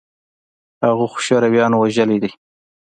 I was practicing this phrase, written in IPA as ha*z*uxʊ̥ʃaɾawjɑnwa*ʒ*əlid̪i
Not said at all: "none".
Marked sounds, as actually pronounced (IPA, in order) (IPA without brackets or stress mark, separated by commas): ɣ, ʒ